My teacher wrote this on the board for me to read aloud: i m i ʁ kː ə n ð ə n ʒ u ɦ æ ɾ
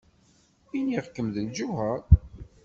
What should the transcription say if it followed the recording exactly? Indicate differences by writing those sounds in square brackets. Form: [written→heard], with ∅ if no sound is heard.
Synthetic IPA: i [m→n] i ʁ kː ə [n→m] ð ə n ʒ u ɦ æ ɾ